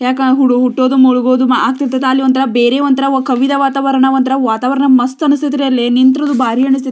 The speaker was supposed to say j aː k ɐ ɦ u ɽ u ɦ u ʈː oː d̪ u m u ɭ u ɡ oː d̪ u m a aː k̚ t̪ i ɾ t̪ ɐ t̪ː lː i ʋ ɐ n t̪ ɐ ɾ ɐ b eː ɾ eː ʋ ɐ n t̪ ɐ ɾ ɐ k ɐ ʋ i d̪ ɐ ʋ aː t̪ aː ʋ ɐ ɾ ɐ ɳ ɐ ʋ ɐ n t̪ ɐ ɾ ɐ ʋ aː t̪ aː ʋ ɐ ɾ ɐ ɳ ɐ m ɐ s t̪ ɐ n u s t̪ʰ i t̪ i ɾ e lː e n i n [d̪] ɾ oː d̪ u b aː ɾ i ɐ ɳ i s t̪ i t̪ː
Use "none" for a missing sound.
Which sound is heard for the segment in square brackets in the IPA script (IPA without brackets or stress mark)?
t̪